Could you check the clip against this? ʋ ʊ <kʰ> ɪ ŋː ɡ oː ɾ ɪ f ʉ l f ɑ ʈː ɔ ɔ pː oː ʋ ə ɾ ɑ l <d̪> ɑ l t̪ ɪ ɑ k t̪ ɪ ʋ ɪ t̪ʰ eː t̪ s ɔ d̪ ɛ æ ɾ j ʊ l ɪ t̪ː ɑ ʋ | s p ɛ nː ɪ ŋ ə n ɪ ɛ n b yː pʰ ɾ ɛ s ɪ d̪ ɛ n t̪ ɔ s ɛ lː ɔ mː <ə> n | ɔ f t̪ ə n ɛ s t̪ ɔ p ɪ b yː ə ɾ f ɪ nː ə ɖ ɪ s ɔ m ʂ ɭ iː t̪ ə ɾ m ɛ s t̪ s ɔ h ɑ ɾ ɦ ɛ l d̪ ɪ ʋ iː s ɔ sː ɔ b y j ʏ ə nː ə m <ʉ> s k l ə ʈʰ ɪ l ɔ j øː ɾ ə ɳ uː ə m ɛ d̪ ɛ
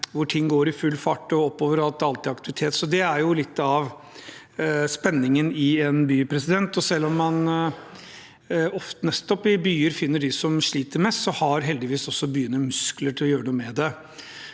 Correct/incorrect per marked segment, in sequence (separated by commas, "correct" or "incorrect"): incorrect, incorrect, incorrect, correct